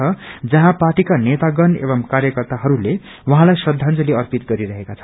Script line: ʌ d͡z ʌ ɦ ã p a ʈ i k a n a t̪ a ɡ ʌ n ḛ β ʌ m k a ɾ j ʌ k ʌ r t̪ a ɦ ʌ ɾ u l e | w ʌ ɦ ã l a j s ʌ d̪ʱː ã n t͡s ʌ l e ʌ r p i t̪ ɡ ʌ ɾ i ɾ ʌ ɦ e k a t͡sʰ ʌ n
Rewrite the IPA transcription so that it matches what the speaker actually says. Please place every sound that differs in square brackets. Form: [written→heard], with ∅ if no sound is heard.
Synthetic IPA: ʌ d͡z ʌ ɦ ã p a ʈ i k a n [a→e] t̪ a ɡ ʌ n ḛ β ʌ m k a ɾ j ʌ k ʌ r t̪ a ɦ ʌ ɾ u l e | w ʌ ɦ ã l a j s ʌ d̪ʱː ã n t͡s ʌ l e ʌ r p i t̪ ɡ ʌ ɾ i ɾ ʌ ɦ e k a t͡sʰ ʌ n